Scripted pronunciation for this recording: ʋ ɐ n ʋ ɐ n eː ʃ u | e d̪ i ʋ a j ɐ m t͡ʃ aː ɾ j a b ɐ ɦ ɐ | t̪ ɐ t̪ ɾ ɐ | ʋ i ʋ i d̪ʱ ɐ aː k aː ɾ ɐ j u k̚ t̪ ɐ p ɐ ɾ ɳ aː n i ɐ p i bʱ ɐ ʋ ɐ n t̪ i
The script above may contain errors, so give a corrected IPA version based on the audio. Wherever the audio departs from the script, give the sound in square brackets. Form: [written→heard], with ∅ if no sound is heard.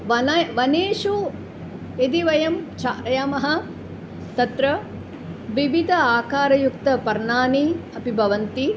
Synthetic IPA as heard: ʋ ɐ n ʋ ɐ n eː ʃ u | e d̪ i ʋ [a→ɐ] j ɐ m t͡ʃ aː ɾ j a [b→m] ɐ ɦ ɐ | t̪ ɐ t̪ ɾ ɐ | ʋ i ʋ i d̪ʱ ɐ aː k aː ɾ ɐ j u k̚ t̪ ɐ p ɐ ɾ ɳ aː n i ɐ p i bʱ ɐ ʋ ɐ n t̪ i

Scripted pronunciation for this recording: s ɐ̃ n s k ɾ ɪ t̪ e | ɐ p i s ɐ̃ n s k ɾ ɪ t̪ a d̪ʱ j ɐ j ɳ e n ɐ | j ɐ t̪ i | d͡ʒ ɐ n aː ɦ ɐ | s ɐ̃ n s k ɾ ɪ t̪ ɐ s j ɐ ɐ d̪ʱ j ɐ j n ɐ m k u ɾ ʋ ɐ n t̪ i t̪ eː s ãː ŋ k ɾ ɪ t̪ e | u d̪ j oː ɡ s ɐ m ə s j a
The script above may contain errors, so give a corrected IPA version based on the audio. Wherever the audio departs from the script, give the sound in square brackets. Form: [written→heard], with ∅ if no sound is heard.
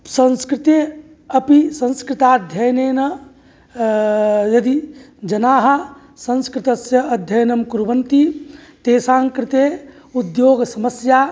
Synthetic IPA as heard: s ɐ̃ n s k ɾ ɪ t̪ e | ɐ p i s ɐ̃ n s k ɾ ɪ t̪ a d̪ʱ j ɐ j [ɳ→n] e n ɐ | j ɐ [t̪→d̪] i | d͡ʒ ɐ n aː ɦ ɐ | s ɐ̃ n s k ɾ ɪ t̪ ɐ s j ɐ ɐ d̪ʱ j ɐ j n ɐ m k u ɾ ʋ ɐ n t̪ i t̪ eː s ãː ŋ k ɾ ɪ t̪ e | u d̪ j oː ɡ s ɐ m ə s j a

